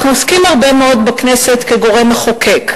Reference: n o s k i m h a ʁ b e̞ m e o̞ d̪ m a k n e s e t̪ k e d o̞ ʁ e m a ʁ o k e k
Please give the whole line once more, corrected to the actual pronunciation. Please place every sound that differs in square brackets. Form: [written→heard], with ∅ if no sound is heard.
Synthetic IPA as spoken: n o s k i m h a ʁ b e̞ m e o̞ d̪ [m→b] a k n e s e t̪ k e [d→ɡ] o̞ ʁ e m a [ʁ→χ] o k e k